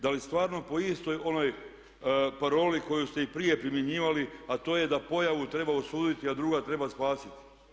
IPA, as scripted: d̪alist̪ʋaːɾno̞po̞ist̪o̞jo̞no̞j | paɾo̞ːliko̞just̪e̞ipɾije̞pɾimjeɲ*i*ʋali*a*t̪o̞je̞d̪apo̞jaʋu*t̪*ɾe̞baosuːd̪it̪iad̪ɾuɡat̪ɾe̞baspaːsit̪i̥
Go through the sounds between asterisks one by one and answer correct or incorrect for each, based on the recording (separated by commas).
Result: incorrect, correct, correct